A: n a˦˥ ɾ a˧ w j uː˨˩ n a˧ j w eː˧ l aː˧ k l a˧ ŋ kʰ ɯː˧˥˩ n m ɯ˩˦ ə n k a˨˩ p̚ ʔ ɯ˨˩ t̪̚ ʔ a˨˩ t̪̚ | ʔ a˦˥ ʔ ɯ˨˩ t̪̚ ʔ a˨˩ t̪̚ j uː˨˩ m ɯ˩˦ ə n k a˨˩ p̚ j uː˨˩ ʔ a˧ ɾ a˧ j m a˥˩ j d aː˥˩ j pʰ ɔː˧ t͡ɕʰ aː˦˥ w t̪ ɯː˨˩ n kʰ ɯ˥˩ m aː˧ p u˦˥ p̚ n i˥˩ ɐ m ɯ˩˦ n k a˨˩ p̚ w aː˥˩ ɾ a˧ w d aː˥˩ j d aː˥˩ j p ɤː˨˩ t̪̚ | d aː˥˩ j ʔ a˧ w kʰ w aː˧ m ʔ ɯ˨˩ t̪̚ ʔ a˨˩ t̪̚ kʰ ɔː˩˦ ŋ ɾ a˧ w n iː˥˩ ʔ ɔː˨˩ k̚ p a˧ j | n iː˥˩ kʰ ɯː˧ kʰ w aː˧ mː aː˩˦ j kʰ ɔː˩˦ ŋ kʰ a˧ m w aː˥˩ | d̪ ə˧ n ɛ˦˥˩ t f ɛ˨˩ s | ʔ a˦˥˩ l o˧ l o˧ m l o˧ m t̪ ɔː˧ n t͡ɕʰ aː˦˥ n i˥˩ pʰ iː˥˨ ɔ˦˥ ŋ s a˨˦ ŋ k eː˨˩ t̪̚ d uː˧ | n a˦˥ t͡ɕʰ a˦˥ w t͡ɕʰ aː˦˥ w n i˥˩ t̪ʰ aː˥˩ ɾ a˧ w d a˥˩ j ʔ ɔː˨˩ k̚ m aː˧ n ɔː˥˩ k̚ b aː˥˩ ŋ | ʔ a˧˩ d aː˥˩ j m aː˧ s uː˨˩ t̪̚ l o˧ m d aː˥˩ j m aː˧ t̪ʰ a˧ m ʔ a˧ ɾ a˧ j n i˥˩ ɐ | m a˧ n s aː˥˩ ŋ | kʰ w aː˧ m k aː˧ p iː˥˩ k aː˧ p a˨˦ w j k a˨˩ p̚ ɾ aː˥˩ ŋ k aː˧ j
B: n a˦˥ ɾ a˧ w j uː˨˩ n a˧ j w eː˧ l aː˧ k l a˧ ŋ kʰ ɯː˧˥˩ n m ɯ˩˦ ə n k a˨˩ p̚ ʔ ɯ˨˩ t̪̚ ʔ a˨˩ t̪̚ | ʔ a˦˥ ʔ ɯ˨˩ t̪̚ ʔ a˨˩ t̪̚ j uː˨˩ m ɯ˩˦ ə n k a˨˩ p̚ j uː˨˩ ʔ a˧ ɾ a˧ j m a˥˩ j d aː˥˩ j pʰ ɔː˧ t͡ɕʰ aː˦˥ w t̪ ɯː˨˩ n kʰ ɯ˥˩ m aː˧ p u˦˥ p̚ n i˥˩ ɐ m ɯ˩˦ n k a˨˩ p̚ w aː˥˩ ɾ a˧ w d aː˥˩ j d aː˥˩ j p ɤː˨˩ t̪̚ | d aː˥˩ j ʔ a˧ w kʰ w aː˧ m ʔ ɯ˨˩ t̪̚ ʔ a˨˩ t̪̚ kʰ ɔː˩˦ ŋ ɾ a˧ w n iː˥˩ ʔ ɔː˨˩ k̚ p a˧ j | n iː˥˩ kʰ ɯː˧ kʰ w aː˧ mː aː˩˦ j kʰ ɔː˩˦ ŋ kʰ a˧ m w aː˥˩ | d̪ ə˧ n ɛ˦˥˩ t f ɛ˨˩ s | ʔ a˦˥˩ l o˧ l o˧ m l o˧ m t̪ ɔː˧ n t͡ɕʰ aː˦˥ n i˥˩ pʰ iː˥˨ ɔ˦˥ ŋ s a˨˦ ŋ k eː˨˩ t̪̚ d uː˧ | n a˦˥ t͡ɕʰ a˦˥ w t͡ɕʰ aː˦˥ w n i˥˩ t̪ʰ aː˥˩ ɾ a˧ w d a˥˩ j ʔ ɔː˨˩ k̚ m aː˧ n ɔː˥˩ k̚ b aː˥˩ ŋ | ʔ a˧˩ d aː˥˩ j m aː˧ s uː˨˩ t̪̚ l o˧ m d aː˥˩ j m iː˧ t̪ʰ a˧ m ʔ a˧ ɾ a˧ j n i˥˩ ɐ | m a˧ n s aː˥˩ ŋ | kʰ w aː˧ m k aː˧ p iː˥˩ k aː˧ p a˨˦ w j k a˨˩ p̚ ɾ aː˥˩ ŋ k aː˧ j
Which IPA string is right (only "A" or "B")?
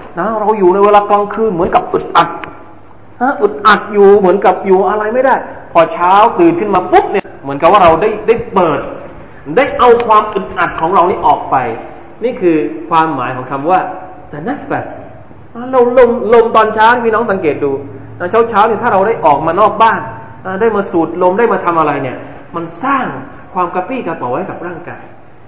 A